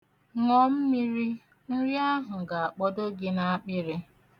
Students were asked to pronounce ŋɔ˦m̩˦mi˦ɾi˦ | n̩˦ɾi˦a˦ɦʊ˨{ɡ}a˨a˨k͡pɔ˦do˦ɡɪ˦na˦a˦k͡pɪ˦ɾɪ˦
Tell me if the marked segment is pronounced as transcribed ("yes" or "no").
yes